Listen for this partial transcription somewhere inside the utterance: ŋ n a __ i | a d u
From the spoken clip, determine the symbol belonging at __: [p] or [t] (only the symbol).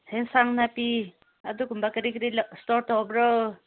p